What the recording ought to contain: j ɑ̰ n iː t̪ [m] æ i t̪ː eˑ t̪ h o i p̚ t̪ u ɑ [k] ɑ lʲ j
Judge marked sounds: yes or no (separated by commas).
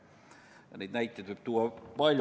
no, no